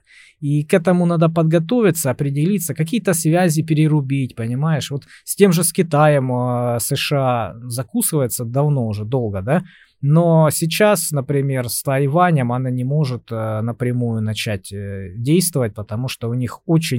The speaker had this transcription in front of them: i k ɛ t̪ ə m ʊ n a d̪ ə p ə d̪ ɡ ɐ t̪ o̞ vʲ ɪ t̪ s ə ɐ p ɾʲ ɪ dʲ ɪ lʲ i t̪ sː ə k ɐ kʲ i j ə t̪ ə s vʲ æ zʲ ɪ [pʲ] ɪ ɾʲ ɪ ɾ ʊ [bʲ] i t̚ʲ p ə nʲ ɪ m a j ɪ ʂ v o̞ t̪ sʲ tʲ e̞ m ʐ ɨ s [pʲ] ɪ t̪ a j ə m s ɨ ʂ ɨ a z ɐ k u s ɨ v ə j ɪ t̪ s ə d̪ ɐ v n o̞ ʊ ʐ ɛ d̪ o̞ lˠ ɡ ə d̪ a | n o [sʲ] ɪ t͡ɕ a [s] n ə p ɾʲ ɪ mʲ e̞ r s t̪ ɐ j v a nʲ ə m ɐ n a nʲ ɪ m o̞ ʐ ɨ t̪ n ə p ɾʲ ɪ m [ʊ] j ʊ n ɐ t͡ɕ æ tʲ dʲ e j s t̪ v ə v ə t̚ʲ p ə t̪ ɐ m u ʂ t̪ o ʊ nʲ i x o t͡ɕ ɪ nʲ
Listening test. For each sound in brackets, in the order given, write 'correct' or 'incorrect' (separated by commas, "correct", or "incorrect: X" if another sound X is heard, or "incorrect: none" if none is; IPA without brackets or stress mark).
correct, correct, incorrect: kʲ, correct, correct, incorrect: u